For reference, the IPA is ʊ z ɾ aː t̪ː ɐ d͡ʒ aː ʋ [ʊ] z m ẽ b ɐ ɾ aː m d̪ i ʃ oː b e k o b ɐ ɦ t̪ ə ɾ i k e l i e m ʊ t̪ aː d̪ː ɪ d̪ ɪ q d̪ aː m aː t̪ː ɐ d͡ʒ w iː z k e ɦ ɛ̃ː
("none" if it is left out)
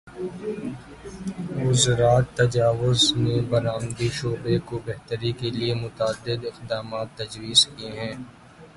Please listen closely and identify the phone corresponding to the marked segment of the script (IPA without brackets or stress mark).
ʊ